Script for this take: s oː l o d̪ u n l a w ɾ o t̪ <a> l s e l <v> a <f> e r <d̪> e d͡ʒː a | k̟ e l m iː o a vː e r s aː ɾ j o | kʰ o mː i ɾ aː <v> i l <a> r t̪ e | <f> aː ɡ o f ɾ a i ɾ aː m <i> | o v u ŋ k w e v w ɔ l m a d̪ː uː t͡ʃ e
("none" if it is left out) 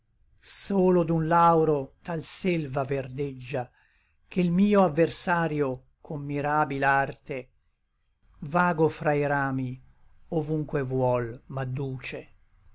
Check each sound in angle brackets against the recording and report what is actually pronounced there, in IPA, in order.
a, v, v, d̪, b, a, v, i

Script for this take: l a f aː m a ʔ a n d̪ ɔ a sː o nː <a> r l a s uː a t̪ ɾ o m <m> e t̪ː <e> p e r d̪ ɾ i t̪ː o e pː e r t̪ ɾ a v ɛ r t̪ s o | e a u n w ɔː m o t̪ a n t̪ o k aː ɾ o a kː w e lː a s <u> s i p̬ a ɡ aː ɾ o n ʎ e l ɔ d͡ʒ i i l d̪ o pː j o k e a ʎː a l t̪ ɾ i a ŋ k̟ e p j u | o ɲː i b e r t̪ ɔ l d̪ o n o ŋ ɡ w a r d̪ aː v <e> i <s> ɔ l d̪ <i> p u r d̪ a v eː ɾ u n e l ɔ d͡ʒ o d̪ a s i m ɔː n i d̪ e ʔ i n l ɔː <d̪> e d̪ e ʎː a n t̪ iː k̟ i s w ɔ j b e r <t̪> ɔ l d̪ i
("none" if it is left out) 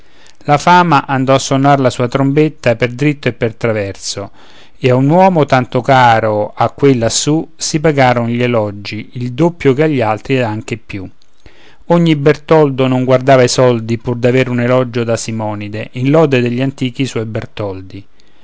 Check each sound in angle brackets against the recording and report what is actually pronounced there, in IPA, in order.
a, b, a, u, a, s, i, d̪, t̪

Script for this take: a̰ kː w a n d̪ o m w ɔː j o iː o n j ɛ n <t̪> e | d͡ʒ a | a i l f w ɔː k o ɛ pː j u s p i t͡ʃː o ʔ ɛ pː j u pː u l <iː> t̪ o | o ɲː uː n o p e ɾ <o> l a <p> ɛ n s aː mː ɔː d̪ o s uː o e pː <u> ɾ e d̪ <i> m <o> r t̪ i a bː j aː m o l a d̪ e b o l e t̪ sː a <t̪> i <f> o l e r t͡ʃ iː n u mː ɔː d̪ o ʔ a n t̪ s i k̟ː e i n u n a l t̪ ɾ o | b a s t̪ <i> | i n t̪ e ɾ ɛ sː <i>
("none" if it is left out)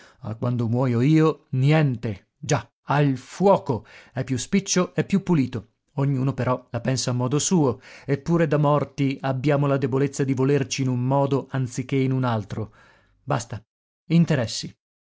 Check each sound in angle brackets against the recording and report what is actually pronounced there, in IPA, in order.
t̪, iː, ɔ, p, uː, a, ɔ, d̪, v, a, i

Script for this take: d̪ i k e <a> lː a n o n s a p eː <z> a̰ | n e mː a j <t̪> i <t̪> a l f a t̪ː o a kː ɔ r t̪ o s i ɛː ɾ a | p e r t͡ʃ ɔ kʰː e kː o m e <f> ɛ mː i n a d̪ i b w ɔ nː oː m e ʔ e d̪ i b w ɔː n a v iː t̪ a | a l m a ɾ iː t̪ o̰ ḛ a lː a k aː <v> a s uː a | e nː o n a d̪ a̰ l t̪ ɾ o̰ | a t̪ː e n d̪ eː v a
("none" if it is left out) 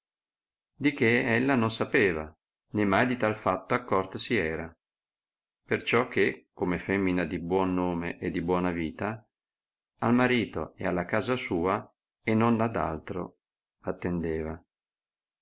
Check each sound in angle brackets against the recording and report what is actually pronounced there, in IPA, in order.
ɛ, v, d̪, t̪, f, z

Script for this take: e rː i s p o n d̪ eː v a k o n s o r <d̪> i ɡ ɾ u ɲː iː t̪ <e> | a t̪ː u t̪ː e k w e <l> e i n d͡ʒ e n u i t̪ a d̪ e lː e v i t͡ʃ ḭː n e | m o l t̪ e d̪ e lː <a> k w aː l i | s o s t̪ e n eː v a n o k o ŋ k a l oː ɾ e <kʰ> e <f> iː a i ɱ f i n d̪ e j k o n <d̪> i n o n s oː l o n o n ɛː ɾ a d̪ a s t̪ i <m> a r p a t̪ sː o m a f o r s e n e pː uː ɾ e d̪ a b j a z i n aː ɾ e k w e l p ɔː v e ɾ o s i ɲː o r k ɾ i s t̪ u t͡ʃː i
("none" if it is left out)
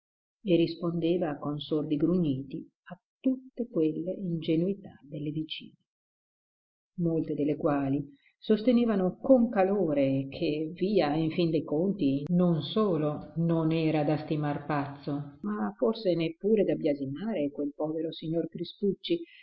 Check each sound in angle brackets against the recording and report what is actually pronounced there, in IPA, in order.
d̪, i, lː, e, kʰ, v, t̪, m

